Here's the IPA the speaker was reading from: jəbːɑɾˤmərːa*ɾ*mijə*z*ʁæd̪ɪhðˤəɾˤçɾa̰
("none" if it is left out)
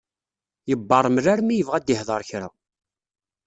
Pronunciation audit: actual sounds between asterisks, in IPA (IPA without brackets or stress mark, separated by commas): ɾ, v